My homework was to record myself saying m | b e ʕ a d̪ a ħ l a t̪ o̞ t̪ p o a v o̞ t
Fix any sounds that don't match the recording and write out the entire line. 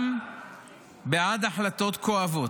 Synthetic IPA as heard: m | b e ʕ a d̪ a ħ l a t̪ o̞ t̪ k o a v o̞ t